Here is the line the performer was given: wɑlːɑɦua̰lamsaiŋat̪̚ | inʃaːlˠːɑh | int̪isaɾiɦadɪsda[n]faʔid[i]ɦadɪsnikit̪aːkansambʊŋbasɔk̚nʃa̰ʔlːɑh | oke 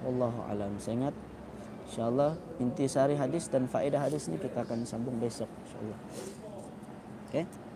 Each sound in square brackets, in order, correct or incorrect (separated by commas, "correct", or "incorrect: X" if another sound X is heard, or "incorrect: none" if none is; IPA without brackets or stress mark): correct, incorrect: a